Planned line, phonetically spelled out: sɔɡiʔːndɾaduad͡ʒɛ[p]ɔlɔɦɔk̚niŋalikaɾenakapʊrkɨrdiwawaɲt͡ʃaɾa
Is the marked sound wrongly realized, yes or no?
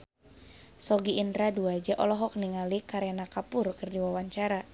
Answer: yes